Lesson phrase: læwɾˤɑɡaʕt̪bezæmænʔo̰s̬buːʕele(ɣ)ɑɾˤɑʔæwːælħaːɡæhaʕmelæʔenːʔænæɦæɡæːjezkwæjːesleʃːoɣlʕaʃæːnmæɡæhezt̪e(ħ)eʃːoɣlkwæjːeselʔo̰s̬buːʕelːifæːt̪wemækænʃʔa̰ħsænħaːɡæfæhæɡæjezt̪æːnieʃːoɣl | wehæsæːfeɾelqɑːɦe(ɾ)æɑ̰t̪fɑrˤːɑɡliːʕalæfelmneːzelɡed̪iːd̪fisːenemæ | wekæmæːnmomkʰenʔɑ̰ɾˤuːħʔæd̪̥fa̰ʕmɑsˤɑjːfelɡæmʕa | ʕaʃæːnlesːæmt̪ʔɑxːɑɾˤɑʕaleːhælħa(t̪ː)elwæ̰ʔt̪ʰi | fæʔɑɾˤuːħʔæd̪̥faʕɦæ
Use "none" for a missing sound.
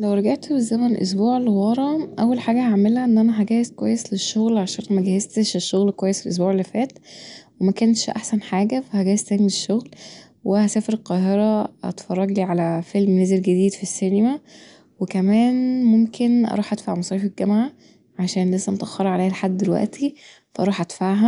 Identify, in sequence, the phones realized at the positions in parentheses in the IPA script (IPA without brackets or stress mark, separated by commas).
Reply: w, ʃ, ɾ, d̪ː